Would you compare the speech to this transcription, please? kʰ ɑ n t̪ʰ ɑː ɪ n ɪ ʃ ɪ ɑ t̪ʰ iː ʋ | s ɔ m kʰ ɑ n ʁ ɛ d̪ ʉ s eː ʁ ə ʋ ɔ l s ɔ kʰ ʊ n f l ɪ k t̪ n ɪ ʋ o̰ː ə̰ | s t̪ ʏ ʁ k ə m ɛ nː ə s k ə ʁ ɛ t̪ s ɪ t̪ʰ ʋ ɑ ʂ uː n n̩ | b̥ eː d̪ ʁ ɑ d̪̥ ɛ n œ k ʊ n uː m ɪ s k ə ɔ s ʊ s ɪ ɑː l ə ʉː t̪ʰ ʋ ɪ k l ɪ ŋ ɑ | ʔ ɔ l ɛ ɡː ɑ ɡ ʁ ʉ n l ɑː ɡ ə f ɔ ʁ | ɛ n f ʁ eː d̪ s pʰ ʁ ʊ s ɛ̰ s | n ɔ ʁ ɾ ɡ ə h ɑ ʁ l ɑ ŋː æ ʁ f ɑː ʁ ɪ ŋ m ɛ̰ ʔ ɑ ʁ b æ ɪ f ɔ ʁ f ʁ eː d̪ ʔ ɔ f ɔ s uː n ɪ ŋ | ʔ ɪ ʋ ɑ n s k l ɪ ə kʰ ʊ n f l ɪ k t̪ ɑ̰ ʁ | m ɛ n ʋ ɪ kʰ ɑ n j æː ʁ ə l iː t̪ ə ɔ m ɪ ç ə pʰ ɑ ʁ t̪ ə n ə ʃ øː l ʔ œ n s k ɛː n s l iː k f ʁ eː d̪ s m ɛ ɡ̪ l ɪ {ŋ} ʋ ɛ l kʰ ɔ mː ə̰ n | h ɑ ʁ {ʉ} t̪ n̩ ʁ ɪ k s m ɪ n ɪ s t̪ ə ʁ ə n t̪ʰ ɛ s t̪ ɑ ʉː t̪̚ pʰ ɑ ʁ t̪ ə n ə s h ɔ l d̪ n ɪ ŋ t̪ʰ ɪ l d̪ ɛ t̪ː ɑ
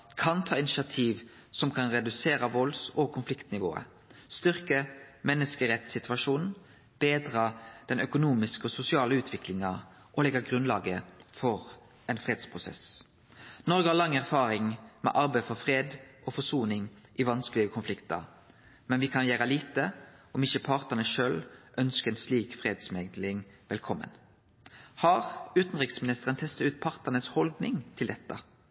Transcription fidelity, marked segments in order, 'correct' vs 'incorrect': correct, incorrect: ʉː

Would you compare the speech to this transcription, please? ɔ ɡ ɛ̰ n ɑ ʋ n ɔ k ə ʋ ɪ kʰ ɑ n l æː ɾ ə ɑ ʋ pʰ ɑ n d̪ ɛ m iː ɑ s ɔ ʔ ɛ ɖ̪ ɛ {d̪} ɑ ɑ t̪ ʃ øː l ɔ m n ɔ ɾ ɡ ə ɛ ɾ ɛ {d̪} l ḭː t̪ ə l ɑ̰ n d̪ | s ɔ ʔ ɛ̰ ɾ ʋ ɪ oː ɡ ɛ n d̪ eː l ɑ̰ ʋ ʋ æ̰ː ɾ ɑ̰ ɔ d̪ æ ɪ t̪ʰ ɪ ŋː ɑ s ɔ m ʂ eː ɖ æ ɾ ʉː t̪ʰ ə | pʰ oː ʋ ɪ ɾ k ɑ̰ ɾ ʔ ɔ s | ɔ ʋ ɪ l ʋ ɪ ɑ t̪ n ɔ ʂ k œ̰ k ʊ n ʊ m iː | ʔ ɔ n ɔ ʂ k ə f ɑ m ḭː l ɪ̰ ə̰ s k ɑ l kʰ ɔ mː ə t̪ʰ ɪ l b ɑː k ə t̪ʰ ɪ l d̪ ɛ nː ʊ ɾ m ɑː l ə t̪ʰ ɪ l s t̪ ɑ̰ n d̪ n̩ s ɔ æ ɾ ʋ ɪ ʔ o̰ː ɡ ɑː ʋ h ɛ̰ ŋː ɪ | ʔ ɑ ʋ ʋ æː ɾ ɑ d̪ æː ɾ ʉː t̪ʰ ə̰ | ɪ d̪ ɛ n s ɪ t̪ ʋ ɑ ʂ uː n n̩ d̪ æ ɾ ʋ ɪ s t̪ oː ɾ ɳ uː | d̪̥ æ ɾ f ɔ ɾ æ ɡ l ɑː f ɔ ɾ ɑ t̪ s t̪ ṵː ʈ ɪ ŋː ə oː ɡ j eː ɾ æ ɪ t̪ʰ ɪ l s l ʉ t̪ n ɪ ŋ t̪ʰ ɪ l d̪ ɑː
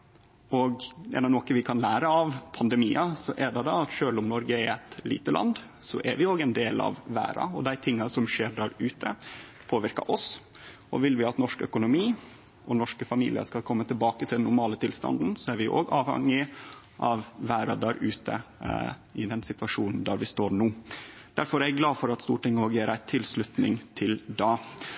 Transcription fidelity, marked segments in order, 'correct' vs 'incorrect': correct, incorrect: t̪

